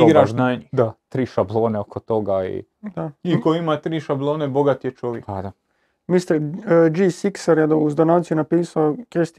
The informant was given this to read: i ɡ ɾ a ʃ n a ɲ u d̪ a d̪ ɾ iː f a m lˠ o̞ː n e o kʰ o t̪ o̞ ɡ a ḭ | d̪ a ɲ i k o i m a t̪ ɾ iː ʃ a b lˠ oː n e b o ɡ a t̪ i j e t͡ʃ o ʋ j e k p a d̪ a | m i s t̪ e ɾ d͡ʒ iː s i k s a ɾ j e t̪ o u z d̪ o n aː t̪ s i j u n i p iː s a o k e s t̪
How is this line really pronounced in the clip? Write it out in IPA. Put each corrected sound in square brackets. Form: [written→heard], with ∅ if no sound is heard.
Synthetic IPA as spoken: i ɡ ɾ a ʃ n a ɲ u d̪ a [d̪→t̪] ɾ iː [f→ʃ] a [m→b] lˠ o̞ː n e o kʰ o t̪ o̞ ɡ a ḭ | d̪ a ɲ i k o i m a t̪ ɾ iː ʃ a b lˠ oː n e b o ɡ a t̪ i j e t͡ʃ o ʋ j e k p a d̪ a | m i s t̪ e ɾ d͡ʒ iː s i k s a ɾ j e [t̪→d̪] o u z d̪ o n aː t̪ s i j u n [i→a] p iː s a o k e s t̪